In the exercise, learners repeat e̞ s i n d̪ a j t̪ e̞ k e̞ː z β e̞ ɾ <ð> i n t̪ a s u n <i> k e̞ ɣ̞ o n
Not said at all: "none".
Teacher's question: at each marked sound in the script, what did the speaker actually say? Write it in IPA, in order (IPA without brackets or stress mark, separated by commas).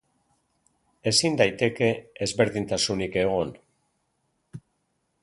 ð, i